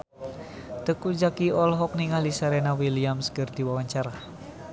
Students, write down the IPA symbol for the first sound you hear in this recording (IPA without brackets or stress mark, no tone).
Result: t̪